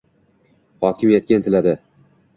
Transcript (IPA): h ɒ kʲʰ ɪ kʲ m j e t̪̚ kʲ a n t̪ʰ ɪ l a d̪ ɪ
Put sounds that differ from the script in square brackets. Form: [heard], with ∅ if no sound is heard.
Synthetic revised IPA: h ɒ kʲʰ ɪ [∅] m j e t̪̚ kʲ a n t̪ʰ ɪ l a d̪ ɪ